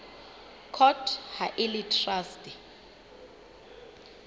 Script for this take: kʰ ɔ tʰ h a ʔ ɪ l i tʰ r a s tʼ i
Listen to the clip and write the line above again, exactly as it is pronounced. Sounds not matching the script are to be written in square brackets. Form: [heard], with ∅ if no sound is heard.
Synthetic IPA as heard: kʰ ɔ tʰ h a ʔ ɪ l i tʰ r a s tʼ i